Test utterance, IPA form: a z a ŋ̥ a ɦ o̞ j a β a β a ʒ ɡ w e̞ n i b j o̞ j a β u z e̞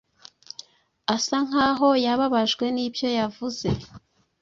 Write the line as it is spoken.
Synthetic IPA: a s a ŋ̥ a ɦ o̞ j a β a β a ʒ ɡ w e̞ n i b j o̞ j a v u z e̞